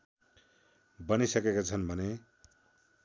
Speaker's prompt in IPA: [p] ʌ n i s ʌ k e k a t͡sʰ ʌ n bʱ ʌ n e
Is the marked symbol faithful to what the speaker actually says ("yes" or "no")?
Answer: no